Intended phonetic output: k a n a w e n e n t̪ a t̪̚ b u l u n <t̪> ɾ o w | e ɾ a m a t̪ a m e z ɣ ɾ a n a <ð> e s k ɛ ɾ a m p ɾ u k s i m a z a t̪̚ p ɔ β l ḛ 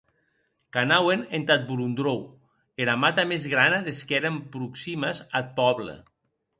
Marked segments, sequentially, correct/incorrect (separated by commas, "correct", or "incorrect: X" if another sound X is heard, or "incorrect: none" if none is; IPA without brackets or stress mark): incorrect: d̪, correct